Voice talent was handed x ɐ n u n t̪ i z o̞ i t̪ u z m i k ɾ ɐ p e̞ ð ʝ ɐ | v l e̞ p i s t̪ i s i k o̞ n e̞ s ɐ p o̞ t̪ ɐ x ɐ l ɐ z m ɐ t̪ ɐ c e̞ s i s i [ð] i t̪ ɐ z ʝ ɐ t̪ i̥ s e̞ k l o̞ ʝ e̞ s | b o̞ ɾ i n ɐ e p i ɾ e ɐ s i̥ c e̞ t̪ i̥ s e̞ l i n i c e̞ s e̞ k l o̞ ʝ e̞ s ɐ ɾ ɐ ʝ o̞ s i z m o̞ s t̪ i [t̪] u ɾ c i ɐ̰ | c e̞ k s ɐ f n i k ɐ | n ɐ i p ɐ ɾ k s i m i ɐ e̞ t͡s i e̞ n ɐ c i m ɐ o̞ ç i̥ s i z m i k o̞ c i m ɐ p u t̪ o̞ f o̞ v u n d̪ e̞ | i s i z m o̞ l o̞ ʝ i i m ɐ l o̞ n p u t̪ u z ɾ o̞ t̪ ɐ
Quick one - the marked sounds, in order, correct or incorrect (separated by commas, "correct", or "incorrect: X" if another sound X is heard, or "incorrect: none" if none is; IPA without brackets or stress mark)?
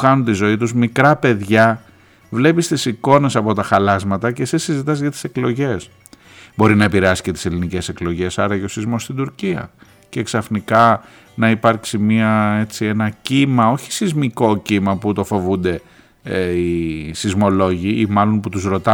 incorrect: z, incorrect: d̪